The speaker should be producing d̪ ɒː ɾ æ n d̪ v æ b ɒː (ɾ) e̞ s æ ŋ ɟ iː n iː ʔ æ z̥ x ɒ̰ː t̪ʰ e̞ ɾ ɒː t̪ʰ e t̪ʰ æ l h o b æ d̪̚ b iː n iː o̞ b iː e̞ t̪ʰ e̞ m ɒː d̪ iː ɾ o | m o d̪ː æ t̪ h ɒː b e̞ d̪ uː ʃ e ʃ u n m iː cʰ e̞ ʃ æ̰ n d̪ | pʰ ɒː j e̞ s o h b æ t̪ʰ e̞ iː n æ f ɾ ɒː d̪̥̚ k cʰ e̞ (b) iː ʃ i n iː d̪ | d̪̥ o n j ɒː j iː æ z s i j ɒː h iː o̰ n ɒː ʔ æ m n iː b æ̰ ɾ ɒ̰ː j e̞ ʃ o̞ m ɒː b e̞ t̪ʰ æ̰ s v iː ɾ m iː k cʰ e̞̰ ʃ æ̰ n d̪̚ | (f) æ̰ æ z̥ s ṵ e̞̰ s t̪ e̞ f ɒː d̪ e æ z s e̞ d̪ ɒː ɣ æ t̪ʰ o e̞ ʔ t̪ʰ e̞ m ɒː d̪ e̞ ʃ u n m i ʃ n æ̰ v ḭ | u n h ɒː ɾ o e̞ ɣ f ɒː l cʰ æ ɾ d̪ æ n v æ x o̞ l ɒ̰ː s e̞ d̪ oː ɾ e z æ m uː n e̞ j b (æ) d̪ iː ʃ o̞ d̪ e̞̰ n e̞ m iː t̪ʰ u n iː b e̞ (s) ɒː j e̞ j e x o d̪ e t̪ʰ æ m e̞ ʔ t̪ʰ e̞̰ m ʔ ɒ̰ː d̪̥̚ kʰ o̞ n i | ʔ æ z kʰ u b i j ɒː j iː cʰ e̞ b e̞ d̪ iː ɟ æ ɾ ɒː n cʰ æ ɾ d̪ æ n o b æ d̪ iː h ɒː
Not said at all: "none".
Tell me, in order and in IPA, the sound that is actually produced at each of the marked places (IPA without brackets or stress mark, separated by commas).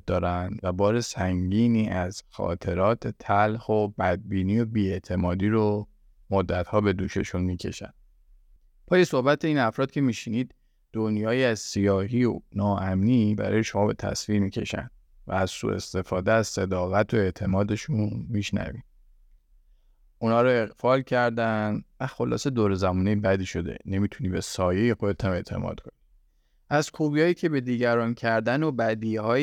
ɾ, m, v, æ, s